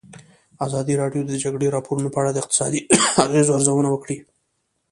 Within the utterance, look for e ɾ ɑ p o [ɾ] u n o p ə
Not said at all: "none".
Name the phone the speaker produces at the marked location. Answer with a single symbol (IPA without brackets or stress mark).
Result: ɾ